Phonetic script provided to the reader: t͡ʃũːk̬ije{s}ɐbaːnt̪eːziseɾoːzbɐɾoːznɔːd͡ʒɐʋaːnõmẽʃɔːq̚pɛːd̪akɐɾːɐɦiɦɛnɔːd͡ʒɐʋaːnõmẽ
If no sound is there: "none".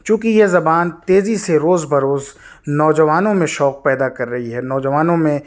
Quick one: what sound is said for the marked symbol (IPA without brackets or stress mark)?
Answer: z